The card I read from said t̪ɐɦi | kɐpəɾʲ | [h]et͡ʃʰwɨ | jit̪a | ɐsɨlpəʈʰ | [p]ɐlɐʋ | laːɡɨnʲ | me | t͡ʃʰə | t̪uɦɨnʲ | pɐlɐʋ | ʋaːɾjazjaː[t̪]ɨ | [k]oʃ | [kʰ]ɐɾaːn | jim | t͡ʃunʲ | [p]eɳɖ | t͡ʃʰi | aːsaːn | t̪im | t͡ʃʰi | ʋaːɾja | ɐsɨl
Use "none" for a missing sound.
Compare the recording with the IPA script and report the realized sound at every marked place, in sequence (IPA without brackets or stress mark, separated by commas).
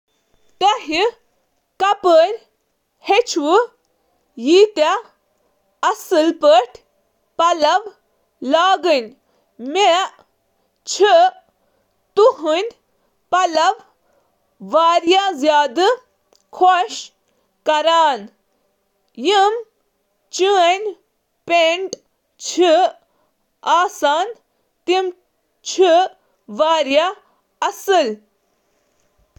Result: h, p, d̪, kʰ, k, p